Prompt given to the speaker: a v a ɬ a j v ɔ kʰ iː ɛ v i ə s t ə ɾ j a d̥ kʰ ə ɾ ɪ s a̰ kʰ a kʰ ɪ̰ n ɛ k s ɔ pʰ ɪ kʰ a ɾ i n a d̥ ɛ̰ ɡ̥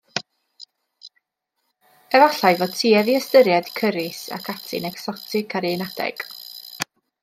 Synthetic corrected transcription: ɛ v a ɬ a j v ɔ tʰ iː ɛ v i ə s t ə ɾ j a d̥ kʰ ə ɾ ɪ s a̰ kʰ a tʰ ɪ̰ n ɛ k s ɔ tʰ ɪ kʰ a ɾ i n a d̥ ɛ̰ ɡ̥